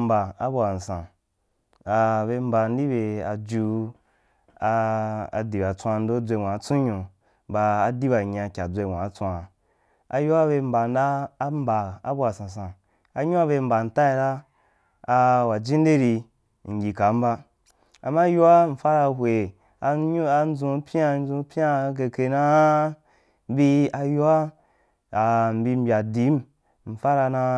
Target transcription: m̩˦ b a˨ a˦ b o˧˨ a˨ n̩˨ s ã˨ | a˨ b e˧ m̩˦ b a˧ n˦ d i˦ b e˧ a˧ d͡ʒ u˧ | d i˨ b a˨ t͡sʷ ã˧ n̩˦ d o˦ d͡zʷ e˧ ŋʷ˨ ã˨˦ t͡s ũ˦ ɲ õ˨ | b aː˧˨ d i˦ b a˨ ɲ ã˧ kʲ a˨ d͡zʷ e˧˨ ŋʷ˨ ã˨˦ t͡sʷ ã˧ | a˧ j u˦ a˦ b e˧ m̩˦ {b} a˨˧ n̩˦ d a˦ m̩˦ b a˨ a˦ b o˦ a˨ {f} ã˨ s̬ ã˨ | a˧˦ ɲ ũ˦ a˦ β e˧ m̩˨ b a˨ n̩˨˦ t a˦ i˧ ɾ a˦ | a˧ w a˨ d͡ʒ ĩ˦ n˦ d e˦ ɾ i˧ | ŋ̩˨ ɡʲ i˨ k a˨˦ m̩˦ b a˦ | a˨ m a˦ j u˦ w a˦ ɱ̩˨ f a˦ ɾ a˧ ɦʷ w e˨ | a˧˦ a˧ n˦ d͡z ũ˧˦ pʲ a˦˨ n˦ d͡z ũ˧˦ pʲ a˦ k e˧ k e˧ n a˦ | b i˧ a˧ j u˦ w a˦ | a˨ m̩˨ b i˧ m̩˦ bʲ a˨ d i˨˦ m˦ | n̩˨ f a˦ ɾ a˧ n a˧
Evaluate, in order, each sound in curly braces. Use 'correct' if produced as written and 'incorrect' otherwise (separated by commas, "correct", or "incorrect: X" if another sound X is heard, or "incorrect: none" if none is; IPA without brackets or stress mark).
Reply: correct, incorrect: s